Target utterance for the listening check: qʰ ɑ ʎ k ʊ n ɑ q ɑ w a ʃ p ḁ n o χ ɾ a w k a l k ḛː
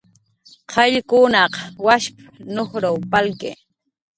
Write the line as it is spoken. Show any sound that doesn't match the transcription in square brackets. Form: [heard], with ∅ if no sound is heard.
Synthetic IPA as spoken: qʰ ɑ ʎ k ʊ n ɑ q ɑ w a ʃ p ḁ n o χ ɾ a w [p] a l k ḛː